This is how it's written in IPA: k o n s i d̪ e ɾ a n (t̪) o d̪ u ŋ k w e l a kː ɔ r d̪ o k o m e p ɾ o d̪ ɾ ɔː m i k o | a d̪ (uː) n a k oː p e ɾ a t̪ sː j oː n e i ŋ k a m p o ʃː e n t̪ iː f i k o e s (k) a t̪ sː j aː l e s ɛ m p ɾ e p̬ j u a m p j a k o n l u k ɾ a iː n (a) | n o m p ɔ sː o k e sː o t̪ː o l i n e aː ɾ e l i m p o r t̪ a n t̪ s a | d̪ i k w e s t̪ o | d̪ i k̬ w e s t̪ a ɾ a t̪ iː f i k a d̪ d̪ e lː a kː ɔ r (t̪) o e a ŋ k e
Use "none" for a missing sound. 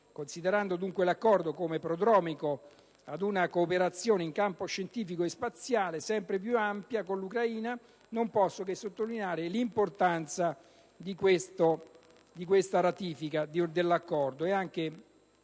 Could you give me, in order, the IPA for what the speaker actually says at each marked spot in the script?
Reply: d̪, u, p, a, d̪

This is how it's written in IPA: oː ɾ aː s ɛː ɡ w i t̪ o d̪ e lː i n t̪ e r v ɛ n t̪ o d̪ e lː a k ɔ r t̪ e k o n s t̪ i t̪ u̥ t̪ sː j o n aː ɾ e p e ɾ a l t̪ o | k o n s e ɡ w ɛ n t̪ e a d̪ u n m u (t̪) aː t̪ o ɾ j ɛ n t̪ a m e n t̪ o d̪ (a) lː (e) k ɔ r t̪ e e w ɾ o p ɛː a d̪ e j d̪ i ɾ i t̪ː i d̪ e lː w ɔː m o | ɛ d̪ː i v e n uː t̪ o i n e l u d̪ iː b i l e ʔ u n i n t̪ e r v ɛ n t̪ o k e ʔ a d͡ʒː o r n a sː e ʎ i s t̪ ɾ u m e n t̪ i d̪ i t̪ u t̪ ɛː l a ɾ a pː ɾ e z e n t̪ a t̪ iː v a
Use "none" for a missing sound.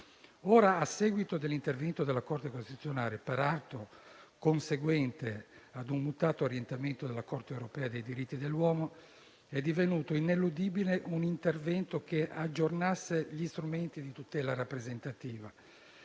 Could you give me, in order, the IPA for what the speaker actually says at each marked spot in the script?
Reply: t̪, e, a

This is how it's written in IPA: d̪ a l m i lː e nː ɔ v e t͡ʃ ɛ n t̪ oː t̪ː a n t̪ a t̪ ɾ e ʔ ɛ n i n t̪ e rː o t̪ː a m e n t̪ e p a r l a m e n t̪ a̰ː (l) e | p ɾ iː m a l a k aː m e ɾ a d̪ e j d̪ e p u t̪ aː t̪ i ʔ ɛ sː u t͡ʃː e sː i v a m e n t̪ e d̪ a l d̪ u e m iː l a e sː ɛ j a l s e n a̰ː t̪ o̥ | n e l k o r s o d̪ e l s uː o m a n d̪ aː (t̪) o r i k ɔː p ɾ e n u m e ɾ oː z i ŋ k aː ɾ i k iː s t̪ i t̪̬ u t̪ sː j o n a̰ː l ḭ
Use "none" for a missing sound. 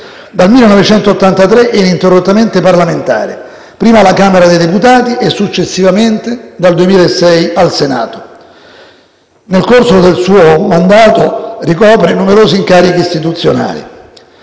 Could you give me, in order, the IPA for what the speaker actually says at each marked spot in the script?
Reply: ɾ, t̪

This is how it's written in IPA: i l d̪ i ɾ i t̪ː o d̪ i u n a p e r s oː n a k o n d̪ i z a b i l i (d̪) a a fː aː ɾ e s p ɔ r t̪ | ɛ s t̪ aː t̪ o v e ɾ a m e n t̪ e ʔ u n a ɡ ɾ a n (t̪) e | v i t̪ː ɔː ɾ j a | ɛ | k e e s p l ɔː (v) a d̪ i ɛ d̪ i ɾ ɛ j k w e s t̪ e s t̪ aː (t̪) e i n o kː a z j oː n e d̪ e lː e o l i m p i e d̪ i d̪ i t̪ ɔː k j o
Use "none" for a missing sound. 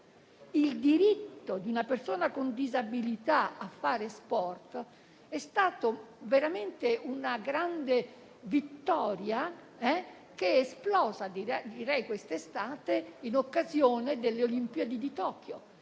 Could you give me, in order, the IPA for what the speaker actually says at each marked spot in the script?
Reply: t̪, d̪, z, t̪

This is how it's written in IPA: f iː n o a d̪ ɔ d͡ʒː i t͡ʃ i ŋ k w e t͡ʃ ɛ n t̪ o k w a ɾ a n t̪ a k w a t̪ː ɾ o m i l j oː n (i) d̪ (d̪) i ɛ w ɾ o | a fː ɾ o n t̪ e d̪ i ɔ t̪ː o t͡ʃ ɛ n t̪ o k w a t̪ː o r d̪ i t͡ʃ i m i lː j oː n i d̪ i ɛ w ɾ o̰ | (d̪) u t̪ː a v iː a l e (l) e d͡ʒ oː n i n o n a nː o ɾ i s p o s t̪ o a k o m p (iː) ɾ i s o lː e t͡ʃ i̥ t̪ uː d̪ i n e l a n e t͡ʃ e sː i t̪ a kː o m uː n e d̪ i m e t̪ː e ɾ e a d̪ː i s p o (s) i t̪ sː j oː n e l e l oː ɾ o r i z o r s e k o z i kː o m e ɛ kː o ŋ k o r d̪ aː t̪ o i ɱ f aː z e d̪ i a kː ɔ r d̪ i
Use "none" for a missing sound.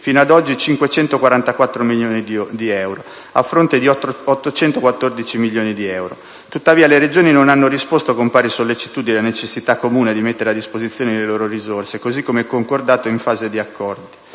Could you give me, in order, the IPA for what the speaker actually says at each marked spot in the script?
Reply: i, d̪, t̪, ɾ, aː, z

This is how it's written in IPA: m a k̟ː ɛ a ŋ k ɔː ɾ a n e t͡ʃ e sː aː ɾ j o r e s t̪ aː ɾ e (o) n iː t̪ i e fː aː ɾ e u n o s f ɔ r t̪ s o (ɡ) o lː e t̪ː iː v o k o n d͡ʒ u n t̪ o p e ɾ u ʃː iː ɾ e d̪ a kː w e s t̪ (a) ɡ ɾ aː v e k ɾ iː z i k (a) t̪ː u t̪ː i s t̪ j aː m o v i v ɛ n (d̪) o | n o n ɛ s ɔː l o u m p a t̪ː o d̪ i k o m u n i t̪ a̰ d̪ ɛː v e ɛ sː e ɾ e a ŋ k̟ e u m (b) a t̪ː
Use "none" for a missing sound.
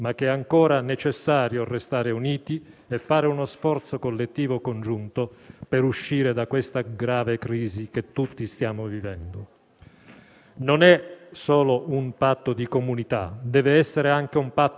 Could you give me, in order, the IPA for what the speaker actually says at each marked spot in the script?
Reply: u, k, a, e, d̪, p

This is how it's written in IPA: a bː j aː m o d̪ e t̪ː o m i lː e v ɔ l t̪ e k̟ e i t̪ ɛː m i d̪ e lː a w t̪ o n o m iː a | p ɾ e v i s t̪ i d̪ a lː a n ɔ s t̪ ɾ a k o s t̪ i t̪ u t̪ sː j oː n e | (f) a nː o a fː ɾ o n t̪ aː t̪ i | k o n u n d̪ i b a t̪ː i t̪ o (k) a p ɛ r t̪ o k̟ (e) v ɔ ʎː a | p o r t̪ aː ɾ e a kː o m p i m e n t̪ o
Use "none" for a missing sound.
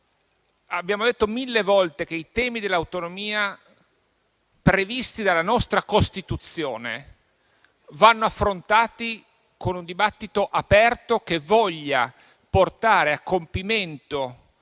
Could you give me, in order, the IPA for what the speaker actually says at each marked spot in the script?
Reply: v, ʔ, e

